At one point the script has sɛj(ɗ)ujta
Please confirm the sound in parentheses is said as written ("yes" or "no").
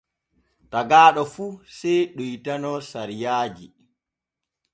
yes